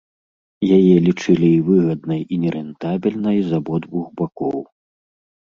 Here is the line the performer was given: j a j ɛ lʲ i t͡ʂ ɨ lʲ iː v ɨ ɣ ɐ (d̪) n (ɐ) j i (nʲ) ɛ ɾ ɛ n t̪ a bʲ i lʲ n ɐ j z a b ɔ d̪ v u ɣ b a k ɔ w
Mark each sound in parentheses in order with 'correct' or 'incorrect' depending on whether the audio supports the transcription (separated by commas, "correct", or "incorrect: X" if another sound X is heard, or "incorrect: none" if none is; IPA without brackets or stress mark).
correct, correct, correct